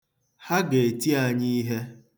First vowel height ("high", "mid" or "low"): low